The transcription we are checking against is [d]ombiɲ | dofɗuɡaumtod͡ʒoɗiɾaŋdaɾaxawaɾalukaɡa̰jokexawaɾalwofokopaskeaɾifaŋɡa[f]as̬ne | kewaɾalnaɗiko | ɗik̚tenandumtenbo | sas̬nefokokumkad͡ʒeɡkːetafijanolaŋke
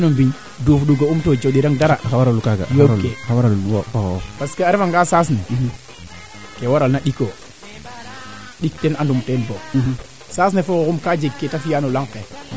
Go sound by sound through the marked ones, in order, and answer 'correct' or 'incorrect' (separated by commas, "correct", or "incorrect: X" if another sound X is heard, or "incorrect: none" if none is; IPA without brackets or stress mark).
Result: incorrect: n, incorrect: s